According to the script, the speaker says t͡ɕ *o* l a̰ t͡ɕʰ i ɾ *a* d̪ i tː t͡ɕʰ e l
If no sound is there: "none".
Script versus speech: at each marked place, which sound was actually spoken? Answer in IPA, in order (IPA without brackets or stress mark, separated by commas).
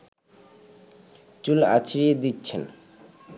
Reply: u, e